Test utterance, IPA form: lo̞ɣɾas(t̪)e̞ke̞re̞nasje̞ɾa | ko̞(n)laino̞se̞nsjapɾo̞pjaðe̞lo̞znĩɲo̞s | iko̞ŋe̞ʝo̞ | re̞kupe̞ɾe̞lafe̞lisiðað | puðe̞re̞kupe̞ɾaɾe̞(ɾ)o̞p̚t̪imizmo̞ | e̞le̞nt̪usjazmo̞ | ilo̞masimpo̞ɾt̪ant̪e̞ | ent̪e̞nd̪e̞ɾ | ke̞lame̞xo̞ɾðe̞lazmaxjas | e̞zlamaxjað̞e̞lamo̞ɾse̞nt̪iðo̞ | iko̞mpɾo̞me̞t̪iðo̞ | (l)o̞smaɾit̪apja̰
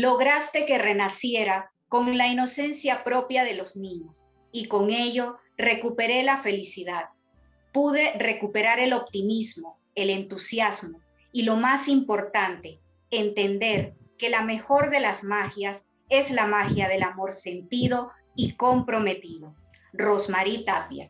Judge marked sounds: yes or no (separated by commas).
yes, no, no, no